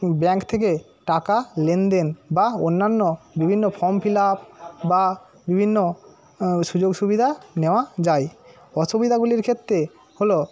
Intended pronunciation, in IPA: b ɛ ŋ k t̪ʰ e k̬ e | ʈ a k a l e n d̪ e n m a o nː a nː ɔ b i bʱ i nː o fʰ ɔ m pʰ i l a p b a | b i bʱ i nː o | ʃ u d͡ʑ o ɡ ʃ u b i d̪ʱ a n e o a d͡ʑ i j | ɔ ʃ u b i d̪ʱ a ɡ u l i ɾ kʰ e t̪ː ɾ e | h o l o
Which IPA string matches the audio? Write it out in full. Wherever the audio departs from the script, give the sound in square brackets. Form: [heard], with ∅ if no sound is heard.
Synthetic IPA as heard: b ɛ ŋ k t̪ʰ e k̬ e | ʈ a k a l e n d̪ e n [b] a o nː a nː [o] b i bʱ i nː o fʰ ɔ m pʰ i l a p b a | b i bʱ i nː o | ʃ u d͡ʑ o ɡ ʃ u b i d̪ʱ a n e o a d͡ʑ [a] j | ɔ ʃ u b i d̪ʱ a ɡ u l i ɾ kʰ e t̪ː ɾ e | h o l o